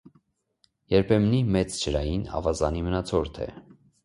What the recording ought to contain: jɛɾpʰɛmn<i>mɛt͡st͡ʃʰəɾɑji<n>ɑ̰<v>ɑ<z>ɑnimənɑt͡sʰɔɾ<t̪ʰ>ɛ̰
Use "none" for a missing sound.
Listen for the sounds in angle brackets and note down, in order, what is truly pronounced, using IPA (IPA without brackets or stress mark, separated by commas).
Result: i, n, v, z, t̪ʰ